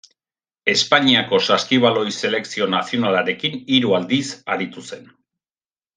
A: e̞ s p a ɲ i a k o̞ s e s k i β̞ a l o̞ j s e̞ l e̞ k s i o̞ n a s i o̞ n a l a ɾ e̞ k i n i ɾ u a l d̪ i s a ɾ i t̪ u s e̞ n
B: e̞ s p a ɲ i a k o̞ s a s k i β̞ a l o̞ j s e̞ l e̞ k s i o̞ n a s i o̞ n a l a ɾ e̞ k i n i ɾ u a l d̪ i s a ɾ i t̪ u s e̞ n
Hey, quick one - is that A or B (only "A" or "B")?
B